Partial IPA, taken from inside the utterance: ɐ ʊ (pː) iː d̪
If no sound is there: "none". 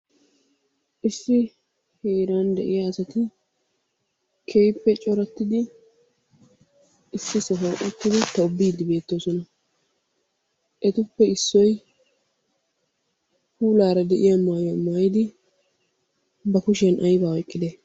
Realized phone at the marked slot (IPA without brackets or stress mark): bː